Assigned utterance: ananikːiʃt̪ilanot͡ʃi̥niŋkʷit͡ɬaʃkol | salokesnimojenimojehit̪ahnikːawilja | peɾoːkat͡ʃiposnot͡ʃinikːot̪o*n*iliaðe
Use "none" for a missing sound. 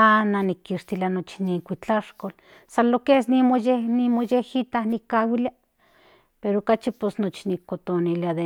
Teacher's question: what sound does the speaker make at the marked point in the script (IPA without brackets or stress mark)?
n